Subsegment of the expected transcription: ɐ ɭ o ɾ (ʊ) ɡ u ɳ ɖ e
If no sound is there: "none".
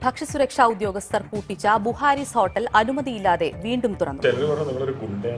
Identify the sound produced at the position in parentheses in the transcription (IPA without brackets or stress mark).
u